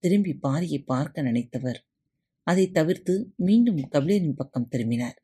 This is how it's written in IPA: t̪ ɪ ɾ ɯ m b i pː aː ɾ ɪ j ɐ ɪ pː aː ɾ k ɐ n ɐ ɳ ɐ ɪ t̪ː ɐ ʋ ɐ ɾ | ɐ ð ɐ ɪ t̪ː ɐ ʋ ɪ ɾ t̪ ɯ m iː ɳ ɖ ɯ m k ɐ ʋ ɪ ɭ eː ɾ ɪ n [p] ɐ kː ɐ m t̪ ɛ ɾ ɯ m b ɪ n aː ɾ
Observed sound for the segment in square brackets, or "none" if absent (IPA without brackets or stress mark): p